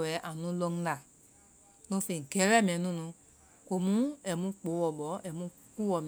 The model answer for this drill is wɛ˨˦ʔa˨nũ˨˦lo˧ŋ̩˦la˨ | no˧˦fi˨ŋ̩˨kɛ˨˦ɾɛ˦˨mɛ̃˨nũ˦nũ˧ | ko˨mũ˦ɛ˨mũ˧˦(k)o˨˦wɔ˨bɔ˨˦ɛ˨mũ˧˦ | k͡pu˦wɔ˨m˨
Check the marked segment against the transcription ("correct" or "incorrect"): incorrect